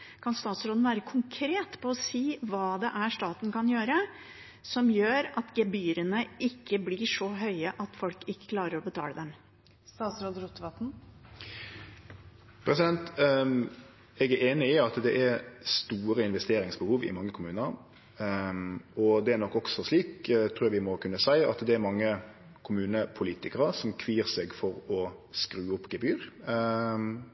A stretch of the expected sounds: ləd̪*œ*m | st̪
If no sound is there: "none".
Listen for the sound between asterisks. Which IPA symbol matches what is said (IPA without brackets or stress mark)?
ɛ